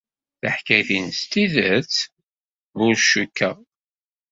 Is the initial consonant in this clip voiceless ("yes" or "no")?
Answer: yes